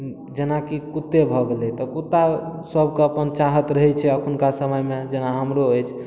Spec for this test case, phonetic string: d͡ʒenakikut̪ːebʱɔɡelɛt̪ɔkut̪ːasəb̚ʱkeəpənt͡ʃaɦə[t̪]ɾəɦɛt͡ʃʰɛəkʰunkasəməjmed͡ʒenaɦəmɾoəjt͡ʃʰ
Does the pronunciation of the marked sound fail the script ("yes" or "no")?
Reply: no